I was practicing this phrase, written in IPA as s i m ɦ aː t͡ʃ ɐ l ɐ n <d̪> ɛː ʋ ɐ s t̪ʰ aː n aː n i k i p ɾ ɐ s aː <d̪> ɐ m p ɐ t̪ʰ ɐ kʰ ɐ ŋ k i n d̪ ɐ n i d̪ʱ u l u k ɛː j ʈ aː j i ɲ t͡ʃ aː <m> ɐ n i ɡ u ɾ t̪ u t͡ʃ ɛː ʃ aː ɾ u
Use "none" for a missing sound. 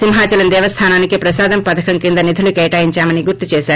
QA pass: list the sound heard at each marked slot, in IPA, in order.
d̪, d̪, m

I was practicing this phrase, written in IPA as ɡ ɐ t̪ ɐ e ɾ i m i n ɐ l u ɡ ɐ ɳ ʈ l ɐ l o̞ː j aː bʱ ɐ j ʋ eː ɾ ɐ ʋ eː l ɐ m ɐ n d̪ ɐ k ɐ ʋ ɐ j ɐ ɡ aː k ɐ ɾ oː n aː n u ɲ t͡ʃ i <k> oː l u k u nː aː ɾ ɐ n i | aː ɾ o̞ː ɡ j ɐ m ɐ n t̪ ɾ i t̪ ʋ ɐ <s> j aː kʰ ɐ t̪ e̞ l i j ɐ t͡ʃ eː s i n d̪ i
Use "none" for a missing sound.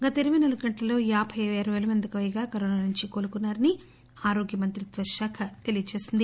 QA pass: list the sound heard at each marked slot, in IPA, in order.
k, ʃ

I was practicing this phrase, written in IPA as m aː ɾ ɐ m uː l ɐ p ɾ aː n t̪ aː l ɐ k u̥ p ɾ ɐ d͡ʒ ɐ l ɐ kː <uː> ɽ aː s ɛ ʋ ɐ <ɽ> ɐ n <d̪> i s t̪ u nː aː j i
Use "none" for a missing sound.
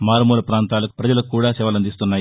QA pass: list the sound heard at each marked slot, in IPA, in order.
uː, l, d̪

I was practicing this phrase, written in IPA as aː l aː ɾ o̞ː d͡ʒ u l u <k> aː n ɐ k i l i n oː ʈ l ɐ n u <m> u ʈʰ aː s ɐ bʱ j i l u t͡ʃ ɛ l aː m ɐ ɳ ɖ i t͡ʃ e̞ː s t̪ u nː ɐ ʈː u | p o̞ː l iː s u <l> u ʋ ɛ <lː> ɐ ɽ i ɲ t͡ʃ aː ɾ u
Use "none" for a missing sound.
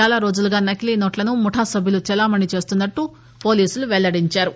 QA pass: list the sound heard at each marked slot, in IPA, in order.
ɡ, m, l, ɭː

